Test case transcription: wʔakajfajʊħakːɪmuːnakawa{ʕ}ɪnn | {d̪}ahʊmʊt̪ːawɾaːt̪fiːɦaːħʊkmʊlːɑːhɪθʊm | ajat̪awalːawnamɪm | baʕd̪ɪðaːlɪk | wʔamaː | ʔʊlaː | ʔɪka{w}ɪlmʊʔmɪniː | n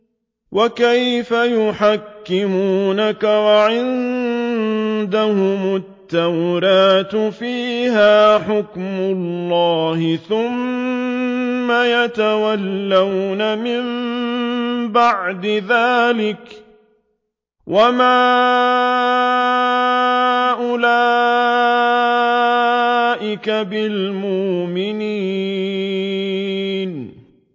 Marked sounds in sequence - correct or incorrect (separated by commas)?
correct, correct, incorrect